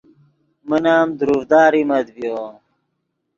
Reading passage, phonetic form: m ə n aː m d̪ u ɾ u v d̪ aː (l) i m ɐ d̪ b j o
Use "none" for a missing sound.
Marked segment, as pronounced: ɾ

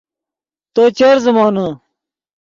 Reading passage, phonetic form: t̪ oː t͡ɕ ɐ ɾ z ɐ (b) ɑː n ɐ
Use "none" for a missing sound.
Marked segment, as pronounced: m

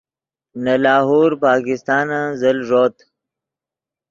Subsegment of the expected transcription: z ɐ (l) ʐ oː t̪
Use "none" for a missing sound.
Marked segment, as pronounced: l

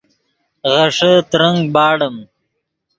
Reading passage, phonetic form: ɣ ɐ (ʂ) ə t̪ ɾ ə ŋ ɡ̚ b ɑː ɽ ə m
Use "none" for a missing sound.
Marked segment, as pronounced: ʂ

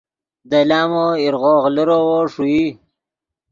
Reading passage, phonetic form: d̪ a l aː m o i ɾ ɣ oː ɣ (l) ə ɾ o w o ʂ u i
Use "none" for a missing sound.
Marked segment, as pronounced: l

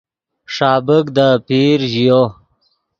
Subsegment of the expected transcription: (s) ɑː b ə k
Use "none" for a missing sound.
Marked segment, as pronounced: ʂ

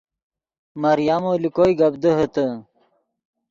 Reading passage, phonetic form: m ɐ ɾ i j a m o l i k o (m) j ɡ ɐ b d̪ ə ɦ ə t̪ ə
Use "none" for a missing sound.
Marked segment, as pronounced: none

